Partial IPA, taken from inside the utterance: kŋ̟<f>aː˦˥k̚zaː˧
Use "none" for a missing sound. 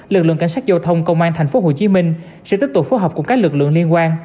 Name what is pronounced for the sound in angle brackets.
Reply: s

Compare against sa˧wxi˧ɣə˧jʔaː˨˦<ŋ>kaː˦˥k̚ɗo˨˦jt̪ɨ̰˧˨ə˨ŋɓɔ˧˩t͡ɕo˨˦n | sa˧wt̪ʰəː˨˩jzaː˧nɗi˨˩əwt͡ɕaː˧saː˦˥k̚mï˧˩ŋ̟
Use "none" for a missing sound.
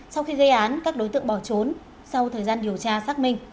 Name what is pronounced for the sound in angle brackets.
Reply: n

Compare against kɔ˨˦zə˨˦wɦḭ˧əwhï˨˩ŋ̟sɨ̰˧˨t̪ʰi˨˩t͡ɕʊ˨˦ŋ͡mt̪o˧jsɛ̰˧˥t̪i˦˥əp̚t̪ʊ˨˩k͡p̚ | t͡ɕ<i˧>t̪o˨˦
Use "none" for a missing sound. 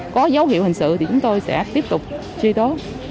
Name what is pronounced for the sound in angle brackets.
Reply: i˧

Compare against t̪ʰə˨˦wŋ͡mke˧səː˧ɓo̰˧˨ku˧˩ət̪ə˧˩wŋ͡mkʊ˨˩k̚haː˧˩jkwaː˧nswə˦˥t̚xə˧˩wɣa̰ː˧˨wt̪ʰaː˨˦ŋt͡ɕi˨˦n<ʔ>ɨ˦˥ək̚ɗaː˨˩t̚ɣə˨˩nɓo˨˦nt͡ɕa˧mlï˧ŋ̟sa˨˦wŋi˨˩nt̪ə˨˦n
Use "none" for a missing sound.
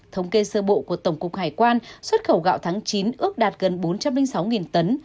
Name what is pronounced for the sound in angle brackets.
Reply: ʔ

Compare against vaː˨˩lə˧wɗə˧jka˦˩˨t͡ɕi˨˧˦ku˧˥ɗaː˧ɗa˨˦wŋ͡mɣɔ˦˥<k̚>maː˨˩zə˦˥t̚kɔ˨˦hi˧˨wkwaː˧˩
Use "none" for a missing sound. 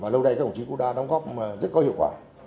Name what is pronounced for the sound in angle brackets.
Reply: p̚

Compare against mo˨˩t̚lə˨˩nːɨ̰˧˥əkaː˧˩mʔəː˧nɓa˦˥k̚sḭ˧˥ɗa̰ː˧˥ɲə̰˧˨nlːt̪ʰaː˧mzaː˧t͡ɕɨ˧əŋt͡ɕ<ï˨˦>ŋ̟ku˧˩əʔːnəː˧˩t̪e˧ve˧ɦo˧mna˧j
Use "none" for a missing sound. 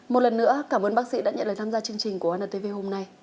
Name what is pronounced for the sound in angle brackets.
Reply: ï˨˩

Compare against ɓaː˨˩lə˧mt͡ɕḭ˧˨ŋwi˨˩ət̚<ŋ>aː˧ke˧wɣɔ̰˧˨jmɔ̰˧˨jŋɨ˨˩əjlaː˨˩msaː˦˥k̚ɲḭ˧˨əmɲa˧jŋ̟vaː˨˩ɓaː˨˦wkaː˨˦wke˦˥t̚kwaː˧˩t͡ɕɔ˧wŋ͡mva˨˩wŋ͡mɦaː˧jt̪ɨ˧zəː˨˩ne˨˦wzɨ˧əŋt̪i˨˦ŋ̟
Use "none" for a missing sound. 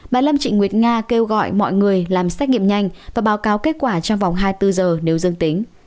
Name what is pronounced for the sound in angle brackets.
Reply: ŋ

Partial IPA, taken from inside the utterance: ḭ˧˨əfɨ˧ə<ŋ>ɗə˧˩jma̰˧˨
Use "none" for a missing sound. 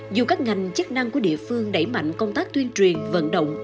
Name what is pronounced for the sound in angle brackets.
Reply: ŋ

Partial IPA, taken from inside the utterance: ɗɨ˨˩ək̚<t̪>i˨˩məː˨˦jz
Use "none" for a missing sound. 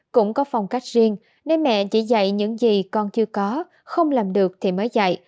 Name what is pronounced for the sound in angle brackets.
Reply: t̪ʰ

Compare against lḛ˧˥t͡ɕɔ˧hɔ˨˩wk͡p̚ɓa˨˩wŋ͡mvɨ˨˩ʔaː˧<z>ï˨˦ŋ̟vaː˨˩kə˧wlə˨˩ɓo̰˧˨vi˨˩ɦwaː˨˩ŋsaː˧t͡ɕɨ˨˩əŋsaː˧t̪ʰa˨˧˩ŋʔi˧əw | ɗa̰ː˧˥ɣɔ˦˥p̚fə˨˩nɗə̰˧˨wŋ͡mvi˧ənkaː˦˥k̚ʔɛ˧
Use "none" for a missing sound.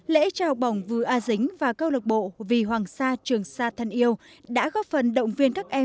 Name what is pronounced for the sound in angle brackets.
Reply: z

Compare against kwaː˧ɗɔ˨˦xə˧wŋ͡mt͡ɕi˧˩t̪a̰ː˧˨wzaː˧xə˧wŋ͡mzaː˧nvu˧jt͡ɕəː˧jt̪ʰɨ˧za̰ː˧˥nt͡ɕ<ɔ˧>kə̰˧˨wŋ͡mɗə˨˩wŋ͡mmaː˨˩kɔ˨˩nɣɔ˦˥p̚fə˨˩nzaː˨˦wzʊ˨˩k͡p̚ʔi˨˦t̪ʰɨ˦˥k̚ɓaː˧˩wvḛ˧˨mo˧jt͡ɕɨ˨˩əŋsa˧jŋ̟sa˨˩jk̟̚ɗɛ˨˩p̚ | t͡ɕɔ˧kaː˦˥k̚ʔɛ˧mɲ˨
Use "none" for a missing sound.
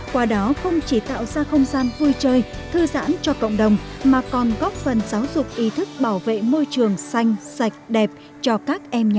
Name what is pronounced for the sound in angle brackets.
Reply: ɔ˧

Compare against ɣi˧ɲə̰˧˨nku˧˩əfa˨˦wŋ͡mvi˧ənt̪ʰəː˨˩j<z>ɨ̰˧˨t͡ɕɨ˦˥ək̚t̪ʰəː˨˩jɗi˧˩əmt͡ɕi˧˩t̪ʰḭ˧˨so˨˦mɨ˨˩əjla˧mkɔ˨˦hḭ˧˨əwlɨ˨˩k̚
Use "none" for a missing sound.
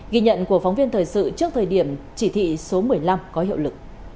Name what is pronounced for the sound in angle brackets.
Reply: s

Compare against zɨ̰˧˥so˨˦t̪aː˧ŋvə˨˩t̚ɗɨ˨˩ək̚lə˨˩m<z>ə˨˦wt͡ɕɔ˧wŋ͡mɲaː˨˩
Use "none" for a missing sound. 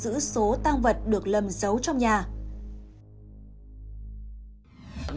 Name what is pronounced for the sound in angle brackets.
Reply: z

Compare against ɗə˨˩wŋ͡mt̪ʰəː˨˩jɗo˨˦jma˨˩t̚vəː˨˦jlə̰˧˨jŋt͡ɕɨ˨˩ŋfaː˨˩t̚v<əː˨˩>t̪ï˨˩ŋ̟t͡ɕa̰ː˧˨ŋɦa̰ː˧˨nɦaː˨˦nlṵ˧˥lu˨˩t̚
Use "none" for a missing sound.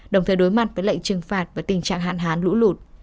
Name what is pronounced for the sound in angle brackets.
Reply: aː˨˩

